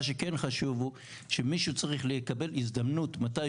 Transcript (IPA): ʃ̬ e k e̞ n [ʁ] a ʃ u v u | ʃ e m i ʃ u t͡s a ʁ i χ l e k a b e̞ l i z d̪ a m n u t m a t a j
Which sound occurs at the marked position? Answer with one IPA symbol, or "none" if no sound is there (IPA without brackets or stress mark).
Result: χ